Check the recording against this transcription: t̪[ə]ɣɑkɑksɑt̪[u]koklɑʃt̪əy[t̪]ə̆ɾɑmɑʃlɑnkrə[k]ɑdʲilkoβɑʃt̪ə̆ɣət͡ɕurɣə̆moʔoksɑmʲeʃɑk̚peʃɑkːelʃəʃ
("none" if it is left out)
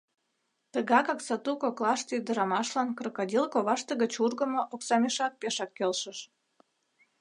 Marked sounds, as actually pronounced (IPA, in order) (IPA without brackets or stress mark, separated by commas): ə, u, d̪, k